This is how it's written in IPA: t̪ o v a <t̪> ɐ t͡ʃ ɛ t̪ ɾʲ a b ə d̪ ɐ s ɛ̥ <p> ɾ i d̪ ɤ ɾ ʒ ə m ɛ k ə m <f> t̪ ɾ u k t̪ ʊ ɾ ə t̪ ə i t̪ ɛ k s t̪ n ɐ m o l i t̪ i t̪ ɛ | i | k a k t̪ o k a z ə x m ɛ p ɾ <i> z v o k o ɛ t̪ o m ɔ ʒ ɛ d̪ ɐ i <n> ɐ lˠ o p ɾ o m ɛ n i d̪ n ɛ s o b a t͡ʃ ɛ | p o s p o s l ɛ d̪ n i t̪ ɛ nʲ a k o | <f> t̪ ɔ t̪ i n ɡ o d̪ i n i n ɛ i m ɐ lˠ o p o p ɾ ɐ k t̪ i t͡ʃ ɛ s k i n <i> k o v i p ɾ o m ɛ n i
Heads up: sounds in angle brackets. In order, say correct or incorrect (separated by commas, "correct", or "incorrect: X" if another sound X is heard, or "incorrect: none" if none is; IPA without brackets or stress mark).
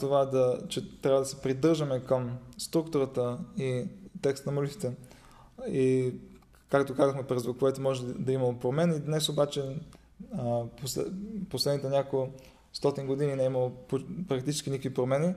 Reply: incorrect: d̪, correct, incorrect: s, incorrect: ɛ, incorrect: m, incorrect: s, correct